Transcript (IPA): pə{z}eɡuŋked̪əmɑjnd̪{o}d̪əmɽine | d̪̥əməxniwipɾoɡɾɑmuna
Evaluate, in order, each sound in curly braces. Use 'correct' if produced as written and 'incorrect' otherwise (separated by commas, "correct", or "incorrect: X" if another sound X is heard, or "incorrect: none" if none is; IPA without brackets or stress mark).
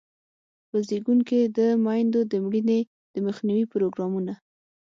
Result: correct, correct